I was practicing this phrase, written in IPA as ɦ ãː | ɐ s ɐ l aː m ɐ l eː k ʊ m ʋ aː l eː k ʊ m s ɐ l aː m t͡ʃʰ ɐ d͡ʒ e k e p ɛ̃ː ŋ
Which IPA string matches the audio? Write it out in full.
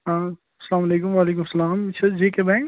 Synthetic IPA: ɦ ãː | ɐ s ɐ l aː m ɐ l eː k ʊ m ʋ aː l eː k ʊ m s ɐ l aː m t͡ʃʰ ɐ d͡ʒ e k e b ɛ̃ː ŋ